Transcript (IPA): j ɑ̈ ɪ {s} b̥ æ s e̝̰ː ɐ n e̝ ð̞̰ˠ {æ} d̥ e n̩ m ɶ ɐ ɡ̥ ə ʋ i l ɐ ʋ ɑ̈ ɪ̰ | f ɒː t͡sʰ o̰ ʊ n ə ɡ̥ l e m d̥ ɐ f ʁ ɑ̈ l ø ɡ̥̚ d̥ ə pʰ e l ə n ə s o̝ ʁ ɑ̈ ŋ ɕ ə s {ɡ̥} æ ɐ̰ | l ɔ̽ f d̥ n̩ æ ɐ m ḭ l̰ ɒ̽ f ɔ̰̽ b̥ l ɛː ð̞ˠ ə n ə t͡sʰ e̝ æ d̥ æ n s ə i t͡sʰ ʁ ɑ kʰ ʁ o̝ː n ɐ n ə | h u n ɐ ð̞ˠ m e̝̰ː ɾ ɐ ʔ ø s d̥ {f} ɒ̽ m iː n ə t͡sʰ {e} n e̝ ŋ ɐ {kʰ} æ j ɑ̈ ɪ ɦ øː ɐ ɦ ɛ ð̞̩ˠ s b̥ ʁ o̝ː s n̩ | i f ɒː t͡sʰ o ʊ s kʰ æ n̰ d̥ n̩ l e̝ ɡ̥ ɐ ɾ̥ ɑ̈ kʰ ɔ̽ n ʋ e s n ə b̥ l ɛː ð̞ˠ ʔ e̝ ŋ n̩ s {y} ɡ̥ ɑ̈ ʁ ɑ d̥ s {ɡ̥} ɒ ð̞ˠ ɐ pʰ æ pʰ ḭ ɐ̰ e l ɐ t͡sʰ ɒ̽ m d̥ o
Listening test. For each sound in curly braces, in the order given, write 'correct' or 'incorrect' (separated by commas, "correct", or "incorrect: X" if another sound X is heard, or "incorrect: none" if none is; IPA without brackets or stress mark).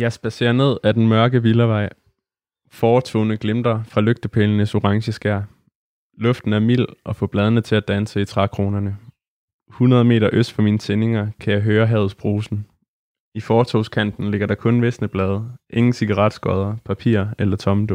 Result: correct, correct, correct, correct, correct, correct, incorrect: i, correct